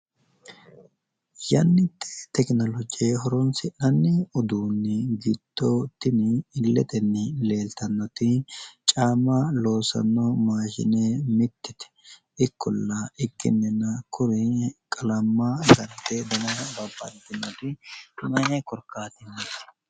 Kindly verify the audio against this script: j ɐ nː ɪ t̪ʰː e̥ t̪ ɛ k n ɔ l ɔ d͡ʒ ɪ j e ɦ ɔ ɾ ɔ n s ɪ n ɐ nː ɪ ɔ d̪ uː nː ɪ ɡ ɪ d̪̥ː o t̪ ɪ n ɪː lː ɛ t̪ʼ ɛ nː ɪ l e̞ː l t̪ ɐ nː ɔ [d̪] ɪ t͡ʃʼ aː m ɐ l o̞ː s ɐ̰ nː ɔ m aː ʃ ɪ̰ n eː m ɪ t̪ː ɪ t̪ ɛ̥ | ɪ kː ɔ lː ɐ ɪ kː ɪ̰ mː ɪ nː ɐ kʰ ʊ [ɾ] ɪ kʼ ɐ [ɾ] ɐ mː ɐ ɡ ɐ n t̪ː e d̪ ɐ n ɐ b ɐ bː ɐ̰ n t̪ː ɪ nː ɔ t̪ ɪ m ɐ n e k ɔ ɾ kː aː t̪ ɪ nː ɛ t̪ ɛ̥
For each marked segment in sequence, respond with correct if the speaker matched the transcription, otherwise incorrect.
incorrect: t̪, correct, incorrect: l

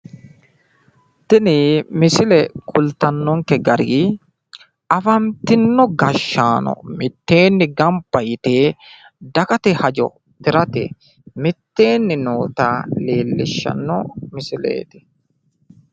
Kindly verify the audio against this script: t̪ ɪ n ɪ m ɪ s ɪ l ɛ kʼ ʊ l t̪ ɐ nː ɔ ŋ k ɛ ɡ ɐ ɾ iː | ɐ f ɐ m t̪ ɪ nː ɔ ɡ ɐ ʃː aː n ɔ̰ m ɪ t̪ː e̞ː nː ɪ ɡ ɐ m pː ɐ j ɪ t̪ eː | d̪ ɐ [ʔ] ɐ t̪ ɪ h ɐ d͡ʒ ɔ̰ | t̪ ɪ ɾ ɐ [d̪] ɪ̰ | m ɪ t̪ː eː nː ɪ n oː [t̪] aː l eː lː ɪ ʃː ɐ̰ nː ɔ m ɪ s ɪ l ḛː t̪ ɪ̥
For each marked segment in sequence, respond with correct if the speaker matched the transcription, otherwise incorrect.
incorrect: k, incorrect: t̪, correct

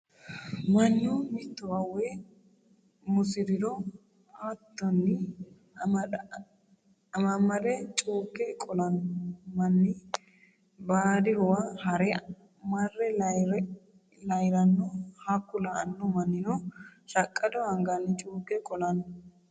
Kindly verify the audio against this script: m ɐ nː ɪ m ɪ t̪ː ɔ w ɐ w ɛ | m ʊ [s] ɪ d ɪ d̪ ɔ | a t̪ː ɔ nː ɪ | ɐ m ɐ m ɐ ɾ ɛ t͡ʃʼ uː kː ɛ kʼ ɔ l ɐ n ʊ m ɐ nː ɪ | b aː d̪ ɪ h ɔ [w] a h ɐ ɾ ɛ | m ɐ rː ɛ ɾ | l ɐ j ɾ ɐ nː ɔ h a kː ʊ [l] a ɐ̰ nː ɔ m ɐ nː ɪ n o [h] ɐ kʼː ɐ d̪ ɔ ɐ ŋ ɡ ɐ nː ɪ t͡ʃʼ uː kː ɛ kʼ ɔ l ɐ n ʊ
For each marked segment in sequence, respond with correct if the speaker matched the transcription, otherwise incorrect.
correct, correct, correct, incorrect: ʃ

